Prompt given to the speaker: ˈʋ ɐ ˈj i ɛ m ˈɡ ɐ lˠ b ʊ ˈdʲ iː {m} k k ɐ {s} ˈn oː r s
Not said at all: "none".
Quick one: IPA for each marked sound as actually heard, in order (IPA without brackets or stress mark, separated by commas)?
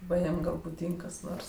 ŋ, s